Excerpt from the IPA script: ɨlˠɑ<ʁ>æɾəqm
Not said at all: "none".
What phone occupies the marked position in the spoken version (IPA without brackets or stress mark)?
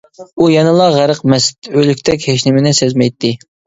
ʁ